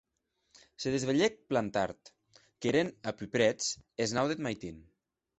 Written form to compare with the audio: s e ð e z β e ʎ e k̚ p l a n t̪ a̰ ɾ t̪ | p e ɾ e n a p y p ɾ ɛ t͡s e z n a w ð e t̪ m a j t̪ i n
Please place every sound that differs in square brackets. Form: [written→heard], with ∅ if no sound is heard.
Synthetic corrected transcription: s e ð e z β e ʎ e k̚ p l a n t̪ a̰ ɾ t̪ | [p→k] e ɾ e n a p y p ɾ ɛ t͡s e z n a w ð e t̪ m a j t̪ i n